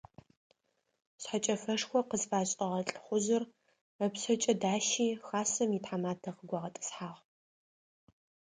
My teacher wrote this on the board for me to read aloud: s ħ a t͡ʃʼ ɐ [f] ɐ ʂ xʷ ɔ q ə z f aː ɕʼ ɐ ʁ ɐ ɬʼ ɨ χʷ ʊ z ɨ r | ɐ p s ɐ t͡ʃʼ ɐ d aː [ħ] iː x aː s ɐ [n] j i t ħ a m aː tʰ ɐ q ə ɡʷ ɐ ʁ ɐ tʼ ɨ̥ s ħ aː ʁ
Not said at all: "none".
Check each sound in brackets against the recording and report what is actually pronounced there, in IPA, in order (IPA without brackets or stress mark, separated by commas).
f, ʃ, m